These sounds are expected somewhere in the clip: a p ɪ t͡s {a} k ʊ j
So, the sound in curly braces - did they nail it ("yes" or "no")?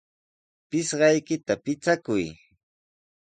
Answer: yes